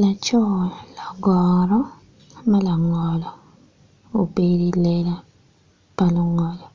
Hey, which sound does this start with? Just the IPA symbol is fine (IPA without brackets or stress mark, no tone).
l